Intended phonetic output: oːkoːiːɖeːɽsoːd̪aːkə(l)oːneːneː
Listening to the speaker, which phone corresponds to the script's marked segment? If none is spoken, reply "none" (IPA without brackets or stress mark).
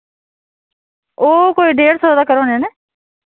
ɾ